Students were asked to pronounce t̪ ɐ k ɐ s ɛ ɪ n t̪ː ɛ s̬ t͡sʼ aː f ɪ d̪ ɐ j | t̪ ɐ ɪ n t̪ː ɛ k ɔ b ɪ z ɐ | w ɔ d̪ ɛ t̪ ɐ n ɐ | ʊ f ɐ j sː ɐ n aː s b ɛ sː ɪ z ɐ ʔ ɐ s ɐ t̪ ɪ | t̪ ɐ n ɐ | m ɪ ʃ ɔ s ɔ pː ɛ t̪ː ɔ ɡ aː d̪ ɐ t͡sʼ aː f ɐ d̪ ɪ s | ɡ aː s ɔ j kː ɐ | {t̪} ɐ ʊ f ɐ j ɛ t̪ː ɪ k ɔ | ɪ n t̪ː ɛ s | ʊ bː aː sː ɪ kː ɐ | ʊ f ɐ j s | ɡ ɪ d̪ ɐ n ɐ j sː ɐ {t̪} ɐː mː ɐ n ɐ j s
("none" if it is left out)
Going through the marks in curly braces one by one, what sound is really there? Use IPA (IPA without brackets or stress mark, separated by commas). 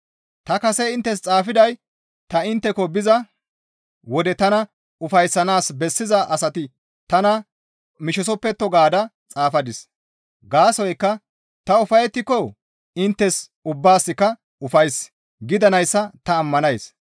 t̪, t̪